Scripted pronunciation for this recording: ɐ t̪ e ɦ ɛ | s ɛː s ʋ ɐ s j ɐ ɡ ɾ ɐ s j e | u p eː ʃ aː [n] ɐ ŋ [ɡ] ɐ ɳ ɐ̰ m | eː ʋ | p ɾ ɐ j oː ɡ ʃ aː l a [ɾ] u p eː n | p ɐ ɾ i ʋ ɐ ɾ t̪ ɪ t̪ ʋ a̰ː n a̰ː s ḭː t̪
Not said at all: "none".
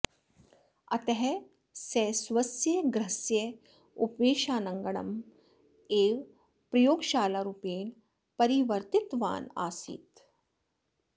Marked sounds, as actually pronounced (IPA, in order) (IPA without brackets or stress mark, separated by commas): n, ɡ, ɾ